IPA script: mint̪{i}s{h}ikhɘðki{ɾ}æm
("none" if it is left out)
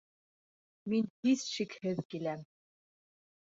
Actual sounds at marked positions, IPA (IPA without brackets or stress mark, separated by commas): i, ʃ, l